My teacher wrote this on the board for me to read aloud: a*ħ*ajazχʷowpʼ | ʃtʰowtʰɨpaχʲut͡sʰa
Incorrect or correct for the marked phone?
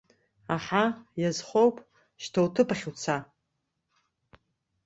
correct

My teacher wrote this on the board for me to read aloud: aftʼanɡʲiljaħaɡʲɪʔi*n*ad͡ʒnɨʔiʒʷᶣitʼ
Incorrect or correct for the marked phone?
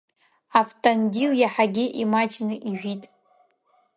incorrect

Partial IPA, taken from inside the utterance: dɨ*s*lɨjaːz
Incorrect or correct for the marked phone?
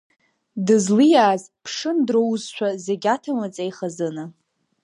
incorrect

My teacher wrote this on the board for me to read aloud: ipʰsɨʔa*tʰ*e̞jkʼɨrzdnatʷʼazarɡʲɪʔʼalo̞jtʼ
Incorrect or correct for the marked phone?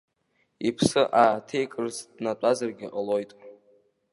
correct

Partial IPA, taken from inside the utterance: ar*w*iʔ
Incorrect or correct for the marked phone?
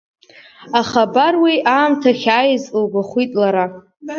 correct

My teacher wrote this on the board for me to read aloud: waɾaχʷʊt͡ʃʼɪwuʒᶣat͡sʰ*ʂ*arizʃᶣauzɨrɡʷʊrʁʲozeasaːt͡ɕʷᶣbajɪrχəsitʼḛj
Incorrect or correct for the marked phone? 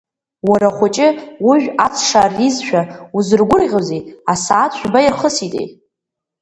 correct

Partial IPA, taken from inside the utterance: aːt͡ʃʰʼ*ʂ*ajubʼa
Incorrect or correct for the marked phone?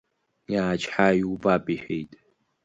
incorrect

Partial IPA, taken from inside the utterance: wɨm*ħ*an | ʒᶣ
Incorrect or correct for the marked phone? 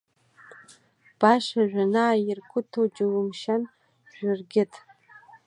incorrect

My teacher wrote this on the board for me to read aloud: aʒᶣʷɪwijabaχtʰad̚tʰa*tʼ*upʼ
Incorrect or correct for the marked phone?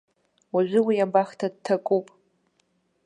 incorrect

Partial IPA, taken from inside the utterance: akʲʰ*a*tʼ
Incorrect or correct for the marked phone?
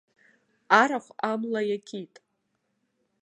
incorrect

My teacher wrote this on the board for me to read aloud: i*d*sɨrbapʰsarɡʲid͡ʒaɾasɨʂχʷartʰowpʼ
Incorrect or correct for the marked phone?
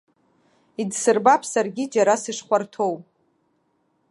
correct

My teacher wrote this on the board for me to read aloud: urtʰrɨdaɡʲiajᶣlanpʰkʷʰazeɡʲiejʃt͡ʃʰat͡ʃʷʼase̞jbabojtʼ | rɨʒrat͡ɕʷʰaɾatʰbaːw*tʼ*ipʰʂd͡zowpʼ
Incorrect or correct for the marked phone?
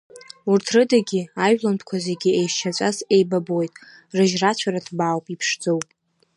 incorrect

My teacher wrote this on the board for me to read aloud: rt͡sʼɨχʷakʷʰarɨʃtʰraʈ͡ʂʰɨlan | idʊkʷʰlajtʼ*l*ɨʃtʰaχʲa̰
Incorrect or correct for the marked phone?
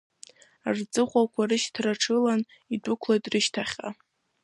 incorrect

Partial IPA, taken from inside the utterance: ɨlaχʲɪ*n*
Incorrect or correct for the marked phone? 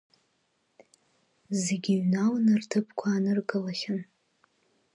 correct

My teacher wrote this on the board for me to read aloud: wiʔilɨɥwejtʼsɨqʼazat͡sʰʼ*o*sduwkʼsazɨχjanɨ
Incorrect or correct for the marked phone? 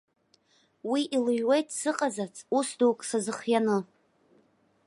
incorrect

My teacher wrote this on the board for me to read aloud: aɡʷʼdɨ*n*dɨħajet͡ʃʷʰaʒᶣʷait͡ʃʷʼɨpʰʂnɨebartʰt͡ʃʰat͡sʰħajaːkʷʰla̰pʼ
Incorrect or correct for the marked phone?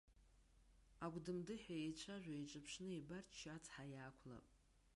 incorrect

